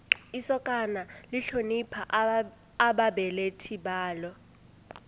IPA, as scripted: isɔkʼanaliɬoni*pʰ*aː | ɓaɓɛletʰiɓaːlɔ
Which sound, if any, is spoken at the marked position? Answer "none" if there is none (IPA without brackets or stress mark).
pʰ